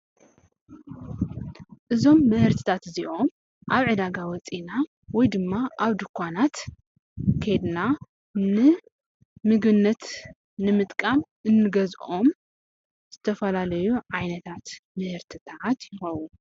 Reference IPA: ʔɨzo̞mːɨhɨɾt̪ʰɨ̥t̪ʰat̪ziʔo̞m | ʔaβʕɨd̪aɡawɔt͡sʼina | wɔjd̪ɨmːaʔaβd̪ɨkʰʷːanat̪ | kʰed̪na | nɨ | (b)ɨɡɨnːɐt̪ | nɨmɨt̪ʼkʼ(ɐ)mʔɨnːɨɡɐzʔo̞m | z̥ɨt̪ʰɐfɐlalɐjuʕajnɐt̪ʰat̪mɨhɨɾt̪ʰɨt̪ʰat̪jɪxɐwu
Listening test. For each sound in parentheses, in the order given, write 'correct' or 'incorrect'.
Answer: incorrect, incorrect

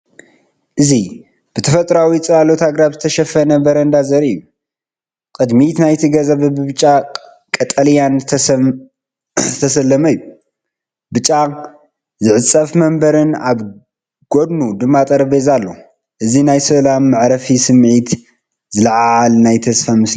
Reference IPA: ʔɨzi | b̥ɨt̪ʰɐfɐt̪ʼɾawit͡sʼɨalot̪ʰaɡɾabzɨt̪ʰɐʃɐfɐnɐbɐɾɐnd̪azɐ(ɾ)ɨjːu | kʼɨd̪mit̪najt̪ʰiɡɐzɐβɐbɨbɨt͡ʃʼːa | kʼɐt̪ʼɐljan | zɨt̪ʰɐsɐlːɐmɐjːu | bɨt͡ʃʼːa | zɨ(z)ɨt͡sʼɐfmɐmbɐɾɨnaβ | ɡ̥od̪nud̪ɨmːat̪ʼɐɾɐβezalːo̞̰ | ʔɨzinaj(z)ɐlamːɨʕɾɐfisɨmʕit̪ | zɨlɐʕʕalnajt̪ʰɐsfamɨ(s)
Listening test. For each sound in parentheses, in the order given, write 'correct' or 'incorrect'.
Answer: correct, incorrect, incorrect, correct

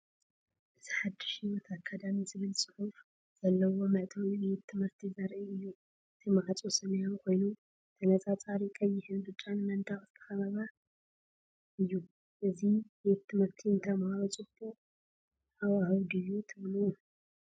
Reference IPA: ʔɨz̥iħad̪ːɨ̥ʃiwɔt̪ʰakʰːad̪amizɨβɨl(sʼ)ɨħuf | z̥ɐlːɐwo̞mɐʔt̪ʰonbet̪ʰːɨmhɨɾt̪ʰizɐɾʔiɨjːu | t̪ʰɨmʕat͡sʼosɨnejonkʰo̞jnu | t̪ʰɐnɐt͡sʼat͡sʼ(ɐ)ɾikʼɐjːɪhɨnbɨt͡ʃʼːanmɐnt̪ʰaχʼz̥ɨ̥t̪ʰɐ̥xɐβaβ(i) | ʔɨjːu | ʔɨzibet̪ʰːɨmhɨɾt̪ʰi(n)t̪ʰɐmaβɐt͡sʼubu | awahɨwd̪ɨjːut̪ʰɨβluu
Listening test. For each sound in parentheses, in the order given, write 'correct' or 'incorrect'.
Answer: correct, incorrect, incorrect, correct

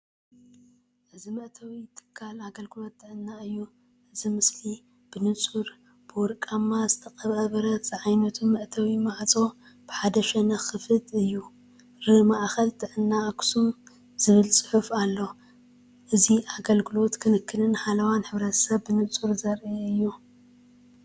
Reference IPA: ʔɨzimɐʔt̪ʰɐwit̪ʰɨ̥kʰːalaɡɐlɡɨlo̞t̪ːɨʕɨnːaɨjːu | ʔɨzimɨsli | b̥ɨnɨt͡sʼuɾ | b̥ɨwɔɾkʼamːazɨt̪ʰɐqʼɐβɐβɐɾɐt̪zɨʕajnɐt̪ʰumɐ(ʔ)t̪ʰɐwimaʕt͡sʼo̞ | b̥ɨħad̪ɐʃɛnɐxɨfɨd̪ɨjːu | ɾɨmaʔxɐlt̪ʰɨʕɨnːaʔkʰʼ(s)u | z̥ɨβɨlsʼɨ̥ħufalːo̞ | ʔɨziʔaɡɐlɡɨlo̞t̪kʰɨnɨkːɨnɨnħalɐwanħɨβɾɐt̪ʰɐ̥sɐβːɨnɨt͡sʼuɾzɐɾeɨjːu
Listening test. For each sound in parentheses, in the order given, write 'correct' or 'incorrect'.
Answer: correct, correct

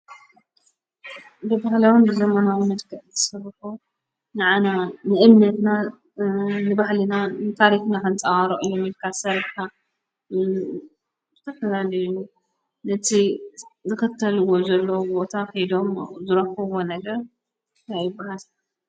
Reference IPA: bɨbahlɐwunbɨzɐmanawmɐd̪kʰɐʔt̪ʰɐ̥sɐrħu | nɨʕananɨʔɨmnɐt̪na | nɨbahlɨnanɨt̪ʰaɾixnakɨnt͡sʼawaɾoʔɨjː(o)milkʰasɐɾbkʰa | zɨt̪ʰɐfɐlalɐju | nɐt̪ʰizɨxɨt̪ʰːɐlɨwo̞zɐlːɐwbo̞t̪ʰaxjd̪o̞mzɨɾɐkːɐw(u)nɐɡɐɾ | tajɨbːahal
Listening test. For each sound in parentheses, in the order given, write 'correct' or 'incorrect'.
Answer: correct, incorrect

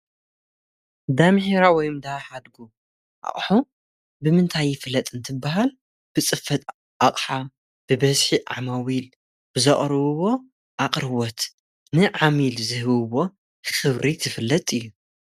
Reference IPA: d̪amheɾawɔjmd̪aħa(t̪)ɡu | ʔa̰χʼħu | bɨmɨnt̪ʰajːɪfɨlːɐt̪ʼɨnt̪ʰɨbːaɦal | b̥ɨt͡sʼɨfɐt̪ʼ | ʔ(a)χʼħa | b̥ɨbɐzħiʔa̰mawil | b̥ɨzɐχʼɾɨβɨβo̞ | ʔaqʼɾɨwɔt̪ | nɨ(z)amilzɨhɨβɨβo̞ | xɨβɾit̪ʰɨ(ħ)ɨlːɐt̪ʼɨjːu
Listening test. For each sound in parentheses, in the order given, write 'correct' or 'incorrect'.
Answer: incorrect, correct, incorrect, incorrect

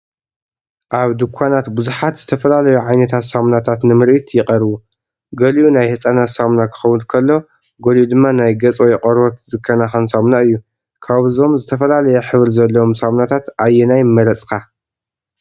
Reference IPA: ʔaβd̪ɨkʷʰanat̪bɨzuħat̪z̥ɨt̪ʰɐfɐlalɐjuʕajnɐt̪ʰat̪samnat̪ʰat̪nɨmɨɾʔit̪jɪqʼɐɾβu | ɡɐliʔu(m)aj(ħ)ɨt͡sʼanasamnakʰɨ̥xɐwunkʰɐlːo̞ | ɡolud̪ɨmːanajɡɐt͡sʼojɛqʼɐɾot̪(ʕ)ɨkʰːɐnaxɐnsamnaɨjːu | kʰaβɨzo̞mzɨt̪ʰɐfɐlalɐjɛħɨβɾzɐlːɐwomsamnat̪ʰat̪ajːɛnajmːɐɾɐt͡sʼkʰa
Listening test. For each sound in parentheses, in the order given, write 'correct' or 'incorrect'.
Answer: incorrect, incorrect, incorrect

